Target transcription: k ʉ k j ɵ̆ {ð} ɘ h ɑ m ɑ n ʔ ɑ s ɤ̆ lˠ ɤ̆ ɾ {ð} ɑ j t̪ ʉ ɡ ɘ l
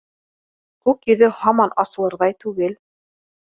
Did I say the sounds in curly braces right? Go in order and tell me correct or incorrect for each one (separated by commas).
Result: correct, correct